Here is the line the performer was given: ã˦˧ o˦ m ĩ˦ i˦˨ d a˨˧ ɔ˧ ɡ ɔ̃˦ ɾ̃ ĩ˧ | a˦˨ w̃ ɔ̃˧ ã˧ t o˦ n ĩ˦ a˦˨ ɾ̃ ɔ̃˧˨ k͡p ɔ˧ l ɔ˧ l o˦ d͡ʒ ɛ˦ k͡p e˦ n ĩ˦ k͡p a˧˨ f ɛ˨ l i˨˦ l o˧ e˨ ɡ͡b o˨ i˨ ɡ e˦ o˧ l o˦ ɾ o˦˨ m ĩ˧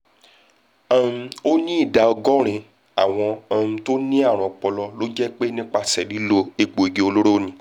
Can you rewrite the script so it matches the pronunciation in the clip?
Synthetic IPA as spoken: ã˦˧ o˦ n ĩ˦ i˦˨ d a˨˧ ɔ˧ ɡ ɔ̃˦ ɾ̃ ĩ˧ | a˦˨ w̃ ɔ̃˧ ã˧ t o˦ n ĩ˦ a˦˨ ɾ̃ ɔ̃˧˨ k͡p ɔ˧ l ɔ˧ l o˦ d͡ʒ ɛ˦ k͡p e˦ n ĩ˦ k͡p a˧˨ s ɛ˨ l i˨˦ l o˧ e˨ ɡ͡b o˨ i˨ ɡ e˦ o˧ l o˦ ɾ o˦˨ n ĩ˧